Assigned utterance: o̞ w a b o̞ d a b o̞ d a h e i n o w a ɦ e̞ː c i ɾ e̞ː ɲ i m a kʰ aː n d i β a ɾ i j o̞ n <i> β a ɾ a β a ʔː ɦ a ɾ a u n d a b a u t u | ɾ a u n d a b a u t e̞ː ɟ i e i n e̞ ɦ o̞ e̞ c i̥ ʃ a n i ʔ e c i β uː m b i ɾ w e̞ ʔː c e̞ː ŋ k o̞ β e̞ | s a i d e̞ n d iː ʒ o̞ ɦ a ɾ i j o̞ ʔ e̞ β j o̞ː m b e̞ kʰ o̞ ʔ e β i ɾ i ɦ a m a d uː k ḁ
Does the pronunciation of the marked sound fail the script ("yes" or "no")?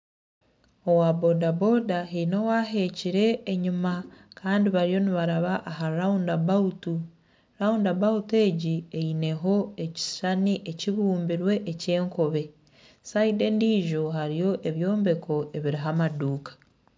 no